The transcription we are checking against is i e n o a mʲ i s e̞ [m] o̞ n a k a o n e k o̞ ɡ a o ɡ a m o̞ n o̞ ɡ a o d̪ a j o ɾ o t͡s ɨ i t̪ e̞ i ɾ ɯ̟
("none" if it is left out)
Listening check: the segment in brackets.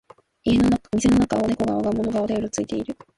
n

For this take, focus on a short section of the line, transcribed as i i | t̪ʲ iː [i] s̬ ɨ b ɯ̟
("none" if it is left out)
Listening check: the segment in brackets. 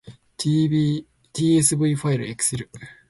e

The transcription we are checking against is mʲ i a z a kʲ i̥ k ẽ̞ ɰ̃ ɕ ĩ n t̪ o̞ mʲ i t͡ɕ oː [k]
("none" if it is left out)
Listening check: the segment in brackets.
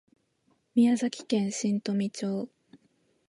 none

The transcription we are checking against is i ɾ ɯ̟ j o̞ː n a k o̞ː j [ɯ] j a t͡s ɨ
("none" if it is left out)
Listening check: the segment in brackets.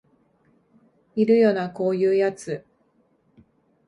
ɯː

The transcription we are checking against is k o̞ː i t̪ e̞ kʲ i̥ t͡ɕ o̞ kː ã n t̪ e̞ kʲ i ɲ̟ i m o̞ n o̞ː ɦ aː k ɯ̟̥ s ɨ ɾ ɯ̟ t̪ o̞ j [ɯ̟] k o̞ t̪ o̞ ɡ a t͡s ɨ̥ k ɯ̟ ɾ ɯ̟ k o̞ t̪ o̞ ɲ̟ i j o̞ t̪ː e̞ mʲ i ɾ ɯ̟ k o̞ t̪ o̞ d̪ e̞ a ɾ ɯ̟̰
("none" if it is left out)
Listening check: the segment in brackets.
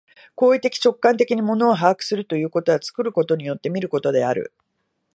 ɯ̟ː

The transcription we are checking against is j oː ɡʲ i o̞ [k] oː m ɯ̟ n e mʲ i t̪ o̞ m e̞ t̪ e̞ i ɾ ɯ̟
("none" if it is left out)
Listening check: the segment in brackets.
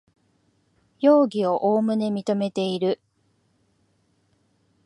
ʔ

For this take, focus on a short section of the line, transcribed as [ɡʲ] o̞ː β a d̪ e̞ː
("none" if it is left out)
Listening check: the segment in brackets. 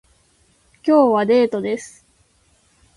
kʲ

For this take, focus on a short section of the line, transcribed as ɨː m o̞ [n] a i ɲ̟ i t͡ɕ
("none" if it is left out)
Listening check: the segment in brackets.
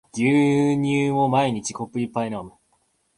m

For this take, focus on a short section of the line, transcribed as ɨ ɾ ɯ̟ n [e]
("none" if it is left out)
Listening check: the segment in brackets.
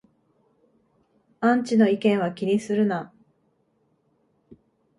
a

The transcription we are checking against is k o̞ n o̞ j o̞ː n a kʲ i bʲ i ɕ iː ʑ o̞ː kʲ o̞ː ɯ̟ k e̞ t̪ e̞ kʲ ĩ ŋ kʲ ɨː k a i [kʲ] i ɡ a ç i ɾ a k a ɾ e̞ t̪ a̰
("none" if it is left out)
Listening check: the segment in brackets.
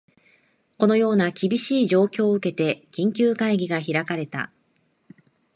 ɡʲ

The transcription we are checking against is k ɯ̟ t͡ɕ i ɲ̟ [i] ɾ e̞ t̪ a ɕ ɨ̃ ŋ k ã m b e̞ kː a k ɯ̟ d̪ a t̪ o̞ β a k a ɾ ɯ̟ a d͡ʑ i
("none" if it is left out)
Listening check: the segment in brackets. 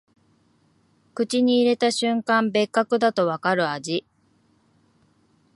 iː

